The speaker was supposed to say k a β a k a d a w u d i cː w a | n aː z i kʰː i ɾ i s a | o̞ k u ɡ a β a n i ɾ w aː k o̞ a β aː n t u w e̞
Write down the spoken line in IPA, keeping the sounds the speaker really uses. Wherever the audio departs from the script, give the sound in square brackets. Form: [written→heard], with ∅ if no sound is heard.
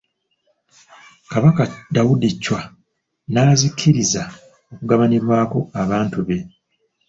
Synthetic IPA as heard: k a β a k a d a w u d i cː w a | n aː z i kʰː i ɾ i [s→z] a | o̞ k u ɡ a β a n i ɾ w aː k o̞ a β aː n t u [w→β] e̞

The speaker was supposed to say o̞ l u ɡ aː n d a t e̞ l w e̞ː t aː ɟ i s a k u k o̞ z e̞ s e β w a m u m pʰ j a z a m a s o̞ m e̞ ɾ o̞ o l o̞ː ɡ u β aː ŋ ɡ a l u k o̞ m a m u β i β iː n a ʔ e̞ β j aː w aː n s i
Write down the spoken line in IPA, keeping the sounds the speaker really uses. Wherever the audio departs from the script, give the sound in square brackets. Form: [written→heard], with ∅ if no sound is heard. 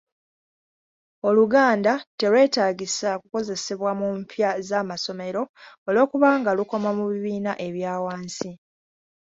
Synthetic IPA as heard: o̞ l u ɡ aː n d a t e̞ l w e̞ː t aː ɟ i s a k u k o̞ z e̞ s e β w a m u m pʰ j a z a m a s o̞ m e̞ ɾ o̞ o l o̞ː [ɡ→k] u β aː ŋ ɡ a l u k o̞ m a m u β i β iː n a ʔ e̞ β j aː w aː n s i

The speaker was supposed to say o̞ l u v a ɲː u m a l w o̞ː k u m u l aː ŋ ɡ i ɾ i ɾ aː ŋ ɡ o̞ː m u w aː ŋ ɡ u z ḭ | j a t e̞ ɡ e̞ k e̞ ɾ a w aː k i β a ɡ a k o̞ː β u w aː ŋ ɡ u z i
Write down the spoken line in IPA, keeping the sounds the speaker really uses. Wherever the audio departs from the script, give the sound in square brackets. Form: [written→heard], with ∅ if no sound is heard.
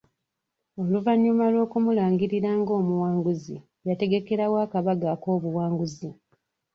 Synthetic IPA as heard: o̞ l u v a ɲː u m a l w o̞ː k u m u l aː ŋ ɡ i ɾ i ɾ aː ŋ ɡ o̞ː m u w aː ŋ ɡ u z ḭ | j a t e̞ ɡ e̞ k e̞ ɾ a w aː k [i→a] β a ɡ a k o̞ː β u w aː ŋ ɡ u z i

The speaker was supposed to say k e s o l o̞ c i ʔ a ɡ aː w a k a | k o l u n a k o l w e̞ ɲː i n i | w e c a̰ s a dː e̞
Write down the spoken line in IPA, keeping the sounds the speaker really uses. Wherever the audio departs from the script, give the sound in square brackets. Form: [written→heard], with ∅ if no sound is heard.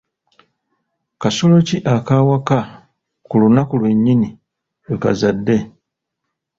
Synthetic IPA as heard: k [e→a] s o l o̞ c i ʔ a [ɡ→k] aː w a k a | k [o→u] l u n a k [o→u] l w e̞ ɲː i n i | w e [c→k] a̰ [s→z] a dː e̞

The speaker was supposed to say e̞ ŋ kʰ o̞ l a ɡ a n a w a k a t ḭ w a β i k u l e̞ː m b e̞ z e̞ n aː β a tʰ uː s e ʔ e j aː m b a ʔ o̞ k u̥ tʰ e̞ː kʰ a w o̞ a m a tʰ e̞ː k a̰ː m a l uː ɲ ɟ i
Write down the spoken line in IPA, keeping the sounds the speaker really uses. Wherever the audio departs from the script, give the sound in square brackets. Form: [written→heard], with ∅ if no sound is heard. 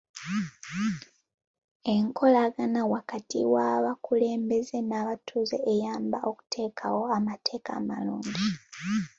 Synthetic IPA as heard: e̞ ŋ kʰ o̞ l a ɡ a n a w a k a t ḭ w a β [i→a] k u l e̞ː m b e̞ z e̞ n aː β a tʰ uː [s→z] e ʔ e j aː m b a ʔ o̞ k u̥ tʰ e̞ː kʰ a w o̞ a m a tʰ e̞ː k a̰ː m a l uː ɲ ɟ i

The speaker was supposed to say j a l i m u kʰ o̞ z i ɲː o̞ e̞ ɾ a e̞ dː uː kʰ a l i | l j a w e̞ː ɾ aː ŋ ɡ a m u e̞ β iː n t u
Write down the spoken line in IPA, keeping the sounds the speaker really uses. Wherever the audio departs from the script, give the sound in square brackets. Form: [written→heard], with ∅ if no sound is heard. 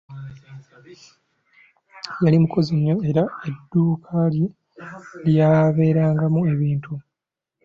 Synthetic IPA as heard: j a l i m u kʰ o̞ z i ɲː o̞ e̞ ɾ a e̞ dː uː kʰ a l i | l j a [w→β] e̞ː ɾ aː ŋ ɡ a m u e̞ β iː n t u

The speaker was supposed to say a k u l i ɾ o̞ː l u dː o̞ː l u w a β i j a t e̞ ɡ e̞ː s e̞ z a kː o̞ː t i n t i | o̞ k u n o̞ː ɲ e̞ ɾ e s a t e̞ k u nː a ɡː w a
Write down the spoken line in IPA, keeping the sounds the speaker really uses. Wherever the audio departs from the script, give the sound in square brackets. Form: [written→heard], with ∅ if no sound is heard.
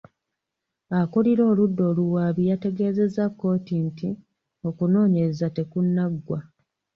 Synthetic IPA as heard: a k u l i ɾ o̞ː l u dː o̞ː l u w a β i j a t e̞ ɡ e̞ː [s→z] e̞ z a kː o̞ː t i n t i | o̞ k u n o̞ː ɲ e̞ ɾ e [s→z] a t e̞ k u nː a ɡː w a

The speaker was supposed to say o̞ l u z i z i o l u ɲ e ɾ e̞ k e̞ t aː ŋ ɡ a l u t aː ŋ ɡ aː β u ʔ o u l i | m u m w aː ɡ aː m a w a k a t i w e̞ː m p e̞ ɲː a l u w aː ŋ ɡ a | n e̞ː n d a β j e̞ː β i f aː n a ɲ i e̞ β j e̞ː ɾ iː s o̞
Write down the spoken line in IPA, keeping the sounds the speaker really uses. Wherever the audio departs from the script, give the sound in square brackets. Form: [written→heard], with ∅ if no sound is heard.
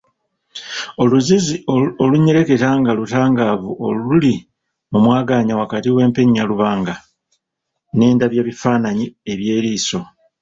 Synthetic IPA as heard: o̞ l u z i z i o l u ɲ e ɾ e̞ k e̞ t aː ŋ ɡ a l u t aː ŋ ɡ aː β u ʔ o u l i | m u m w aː ɡ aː [m→ɲ] a w a k a t i w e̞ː m p e̞ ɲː a l u [w→β] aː ŋ ɡ a | n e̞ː n d a β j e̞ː β i f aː n a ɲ i e̞ β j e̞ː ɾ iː s o̞

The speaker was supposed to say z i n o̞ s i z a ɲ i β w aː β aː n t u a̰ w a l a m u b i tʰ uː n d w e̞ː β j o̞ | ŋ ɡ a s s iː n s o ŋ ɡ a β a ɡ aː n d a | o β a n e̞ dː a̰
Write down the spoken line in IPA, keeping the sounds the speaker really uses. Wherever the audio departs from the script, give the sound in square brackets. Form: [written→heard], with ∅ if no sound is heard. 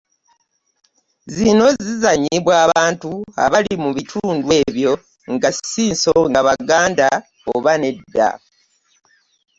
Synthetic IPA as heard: z i n o̞ [s→z] i z a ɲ i β w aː β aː n t u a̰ [w→β] a l [a→i] m u [b→β] i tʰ uː n d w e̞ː β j o̞ | ŋ ɡ a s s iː n s o ŋ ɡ a β a ɡ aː n d a | o β a n e̞ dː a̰

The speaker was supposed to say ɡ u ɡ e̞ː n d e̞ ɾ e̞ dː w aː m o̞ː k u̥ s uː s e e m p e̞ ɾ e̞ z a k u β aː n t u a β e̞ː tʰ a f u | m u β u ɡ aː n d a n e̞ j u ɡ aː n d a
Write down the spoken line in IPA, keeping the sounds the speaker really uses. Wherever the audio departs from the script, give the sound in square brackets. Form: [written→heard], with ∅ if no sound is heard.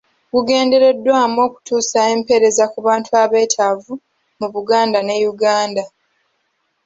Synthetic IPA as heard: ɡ u ɡ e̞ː n d e̞ ɾ e̞ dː w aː m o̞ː k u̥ [s→t] uː s [e→a] e m p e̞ ɾ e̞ z a k u β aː n t u a β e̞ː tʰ a [f→v] u | m u β u ɡ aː n d a n e̞ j u ɡ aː n d a

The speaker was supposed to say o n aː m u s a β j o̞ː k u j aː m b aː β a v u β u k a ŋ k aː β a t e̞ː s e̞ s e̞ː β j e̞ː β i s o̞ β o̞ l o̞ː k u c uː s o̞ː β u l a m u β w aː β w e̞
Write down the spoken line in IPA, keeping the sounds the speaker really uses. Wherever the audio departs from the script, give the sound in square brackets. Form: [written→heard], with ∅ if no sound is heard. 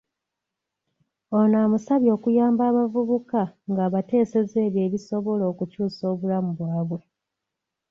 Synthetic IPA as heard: o n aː m u s a β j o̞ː k u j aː m b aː β a v u β u k a ŋ [k→ɡ] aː β a t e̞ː s e̞ [s→z] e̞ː β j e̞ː β i s o̞ β o̞ l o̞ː k u c uː s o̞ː β u l a m u β w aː β w e̞

